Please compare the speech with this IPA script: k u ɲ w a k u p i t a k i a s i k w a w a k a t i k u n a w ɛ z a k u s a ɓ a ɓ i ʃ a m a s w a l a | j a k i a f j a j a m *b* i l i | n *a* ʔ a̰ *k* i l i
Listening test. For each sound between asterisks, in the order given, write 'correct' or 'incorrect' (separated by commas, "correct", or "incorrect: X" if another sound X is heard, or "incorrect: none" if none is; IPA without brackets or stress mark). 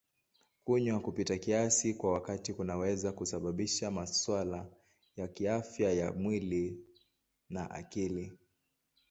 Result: incorrect: w, correct, correct